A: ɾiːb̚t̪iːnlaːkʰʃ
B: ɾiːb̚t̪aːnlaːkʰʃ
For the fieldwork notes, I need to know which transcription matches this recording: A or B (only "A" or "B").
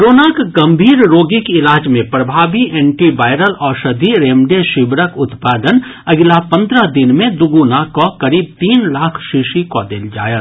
A